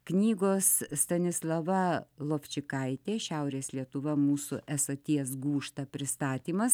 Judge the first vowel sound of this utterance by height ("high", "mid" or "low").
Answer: high